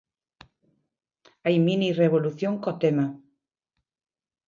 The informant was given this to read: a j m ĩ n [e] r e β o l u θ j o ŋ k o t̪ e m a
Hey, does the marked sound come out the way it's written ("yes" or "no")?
no